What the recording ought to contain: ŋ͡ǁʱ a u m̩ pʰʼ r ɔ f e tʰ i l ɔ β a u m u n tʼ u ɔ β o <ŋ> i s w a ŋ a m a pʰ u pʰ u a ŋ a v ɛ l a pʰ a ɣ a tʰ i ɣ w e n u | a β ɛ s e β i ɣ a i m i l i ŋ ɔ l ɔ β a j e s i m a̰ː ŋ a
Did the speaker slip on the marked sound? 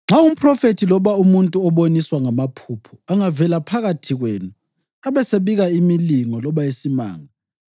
yes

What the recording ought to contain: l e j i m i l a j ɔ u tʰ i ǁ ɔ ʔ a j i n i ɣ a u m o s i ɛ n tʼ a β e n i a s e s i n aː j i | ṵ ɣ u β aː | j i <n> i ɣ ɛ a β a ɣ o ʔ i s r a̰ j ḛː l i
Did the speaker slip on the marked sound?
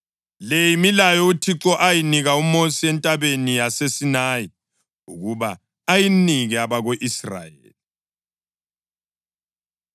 no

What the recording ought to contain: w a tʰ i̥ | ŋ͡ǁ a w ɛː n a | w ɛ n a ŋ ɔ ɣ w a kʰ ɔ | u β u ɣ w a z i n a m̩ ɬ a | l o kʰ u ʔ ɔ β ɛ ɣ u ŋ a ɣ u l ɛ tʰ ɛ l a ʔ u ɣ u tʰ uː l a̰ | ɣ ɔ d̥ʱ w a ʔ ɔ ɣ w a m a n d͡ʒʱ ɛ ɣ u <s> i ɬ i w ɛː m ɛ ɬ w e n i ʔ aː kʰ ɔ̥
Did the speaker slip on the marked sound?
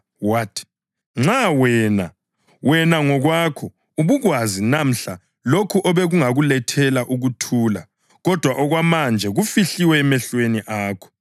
yes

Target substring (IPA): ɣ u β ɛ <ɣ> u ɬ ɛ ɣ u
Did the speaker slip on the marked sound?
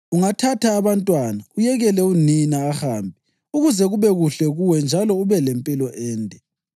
no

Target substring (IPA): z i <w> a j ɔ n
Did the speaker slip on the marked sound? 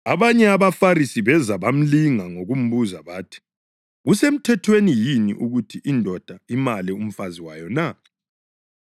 no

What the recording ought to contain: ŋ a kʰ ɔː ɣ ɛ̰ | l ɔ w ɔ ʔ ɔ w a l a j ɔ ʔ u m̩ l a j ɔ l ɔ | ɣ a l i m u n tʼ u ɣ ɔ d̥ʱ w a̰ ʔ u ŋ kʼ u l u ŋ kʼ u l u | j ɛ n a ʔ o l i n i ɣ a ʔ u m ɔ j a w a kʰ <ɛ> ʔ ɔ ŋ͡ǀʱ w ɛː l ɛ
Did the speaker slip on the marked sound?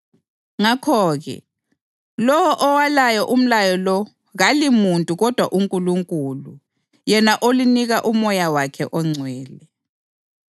no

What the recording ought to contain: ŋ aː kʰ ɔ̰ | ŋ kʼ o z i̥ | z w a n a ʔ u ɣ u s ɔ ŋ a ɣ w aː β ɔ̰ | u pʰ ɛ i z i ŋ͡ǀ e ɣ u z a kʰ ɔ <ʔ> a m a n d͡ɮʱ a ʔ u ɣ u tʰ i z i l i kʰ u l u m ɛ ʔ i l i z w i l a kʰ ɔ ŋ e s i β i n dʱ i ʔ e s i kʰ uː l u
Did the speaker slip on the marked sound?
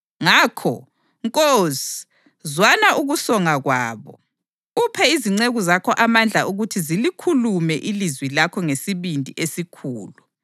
no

